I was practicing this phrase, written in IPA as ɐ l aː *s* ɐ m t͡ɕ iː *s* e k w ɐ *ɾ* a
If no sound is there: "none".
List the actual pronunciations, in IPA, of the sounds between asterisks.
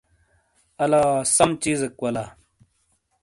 s, z, l

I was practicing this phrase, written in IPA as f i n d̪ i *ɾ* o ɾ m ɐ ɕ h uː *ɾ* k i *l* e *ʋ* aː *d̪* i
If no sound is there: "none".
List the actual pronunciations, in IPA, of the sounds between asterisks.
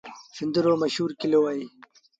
ɾ, ɾ, l, w, none

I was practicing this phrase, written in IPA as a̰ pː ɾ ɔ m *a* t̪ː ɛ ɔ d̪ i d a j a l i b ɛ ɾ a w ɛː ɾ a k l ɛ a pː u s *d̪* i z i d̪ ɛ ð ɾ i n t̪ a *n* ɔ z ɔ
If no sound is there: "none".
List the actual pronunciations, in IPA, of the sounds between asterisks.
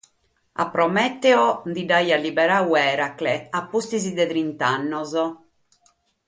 ɛ, t̪, nː

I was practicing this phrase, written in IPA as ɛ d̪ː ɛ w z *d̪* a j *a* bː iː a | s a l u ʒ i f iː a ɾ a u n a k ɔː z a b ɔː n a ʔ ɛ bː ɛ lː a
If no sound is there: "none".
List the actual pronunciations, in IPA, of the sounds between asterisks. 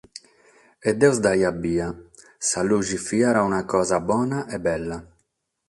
d̪, a

